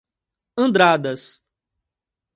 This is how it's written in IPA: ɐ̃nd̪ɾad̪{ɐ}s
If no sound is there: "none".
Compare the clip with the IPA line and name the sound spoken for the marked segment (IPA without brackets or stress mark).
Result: ɐ